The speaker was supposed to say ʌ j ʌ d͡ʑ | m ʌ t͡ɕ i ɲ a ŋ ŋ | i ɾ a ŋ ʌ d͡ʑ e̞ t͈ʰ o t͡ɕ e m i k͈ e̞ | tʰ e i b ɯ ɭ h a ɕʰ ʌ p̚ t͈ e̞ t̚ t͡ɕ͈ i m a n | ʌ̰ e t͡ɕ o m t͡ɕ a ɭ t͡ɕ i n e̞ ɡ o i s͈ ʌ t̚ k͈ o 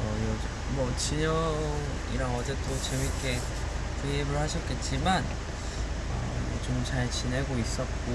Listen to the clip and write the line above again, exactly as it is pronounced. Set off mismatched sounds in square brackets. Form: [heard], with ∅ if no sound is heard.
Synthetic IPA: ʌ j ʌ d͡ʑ | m ʌ t͡ɕ i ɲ [ʌ] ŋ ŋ | i ɾ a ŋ ʌ d͡ʑ e̞ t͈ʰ o t͡ɕ e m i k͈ e̞ | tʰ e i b ɯ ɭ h a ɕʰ ʌ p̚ [k͈] e̞ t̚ t͡ɕ͈ i m a n | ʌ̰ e t͡ɕ o m t͡ɕ a ɭ t͡ɕ i n e̞ ɡ o i s͈ ʌ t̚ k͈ o